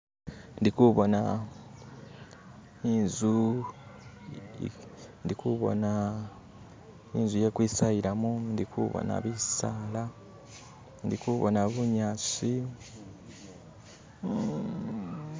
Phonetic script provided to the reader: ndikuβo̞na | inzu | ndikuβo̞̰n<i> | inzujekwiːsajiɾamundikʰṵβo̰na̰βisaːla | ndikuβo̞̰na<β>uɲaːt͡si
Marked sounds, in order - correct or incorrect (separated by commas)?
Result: incorrect, correct